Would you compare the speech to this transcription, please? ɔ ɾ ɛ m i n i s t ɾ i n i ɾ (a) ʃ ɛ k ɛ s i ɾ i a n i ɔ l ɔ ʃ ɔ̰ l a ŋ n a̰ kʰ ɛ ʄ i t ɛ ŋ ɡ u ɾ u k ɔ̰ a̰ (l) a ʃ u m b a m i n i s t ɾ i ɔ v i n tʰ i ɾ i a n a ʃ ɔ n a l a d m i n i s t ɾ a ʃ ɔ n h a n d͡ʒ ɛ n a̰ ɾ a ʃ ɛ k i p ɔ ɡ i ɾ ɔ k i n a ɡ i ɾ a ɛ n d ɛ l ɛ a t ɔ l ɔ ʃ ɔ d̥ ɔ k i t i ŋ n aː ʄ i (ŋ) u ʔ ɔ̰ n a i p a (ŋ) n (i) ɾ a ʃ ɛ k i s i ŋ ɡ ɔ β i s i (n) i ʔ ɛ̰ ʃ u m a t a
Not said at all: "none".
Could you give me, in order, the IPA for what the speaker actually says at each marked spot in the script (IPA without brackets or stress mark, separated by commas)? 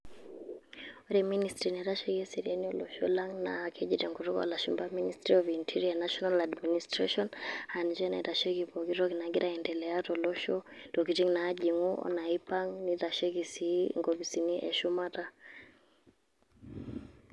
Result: a, l, ŋ, ŋ, i, n